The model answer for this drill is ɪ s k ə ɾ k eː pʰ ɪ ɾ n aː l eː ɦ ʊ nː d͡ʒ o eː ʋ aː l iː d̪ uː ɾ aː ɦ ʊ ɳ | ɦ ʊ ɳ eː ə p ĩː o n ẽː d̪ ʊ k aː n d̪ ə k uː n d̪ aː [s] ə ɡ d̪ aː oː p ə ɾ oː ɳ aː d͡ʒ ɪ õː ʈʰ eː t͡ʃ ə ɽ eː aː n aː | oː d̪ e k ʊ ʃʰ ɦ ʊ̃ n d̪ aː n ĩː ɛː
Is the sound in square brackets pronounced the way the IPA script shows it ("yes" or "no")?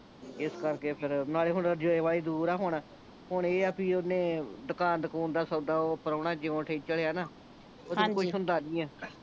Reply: yes